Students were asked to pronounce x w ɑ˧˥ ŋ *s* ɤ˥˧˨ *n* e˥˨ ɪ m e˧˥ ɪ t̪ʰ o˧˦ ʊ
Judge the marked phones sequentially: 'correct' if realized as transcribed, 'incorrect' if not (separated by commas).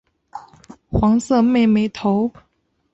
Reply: correct, incorrect